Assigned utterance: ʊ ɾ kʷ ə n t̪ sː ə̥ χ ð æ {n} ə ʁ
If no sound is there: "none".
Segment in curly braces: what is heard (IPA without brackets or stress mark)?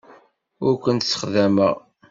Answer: m